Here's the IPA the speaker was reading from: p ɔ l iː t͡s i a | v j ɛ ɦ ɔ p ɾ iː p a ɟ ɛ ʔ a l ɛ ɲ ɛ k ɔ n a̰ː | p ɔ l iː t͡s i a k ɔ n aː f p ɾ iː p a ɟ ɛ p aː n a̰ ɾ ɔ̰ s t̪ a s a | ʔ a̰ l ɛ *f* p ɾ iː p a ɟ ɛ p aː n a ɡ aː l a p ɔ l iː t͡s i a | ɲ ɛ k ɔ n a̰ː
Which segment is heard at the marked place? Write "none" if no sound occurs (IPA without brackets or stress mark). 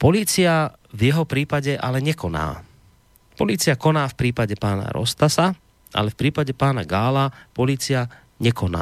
f